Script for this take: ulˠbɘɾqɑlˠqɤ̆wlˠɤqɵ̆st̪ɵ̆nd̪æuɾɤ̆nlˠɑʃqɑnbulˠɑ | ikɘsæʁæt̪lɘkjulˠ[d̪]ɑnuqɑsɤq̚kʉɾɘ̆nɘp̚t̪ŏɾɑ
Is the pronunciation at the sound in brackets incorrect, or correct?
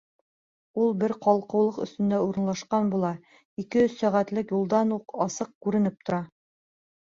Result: correct